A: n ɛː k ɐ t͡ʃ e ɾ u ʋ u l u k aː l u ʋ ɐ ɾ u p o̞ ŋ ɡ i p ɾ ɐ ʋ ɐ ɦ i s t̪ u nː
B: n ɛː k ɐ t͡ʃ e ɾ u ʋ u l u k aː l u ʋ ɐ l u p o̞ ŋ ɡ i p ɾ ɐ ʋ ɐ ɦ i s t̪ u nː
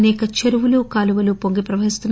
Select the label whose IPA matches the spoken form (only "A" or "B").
B